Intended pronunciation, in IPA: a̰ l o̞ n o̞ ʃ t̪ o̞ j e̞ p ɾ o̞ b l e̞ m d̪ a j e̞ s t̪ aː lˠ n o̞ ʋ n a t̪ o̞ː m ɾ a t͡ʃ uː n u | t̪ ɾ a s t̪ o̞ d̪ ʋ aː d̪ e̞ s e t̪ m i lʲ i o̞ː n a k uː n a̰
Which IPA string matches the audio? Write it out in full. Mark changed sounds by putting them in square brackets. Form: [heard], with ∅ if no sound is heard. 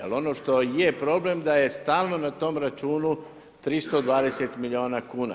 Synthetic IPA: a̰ l o̞ n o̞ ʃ t̪ o̞ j e̞ p ɾ o̞ b l e̞ m d̪ a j e̞ s t̪ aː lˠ n o̞ [∅] n a t̪ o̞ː m ɾ a t͡ʃ uː n u | t̪ ɾ [i] s t̪ o̞ d̪ ʋ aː d̪ e̞ s e t̪ m i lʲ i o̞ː n a k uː n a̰